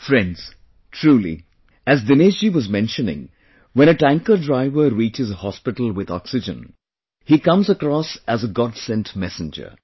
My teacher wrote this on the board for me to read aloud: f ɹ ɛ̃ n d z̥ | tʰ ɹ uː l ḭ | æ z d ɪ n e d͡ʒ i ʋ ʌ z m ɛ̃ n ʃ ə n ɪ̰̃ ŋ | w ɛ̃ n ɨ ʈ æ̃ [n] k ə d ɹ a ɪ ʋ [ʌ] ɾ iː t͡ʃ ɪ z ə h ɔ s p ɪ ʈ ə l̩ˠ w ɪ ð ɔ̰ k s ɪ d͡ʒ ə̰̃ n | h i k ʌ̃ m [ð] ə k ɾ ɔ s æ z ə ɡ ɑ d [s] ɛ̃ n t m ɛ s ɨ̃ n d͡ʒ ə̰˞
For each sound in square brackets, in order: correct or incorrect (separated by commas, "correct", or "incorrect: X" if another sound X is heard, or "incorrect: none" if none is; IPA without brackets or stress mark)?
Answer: incorrect: ŋ, incorrect: ə, incorrect: z, correct